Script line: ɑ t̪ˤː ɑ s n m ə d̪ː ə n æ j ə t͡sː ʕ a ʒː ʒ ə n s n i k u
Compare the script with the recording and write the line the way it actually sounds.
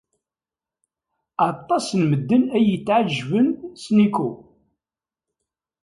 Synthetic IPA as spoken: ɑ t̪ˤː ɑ s n m ə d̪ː ə n æ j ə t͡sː ʕ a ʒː v ə n s n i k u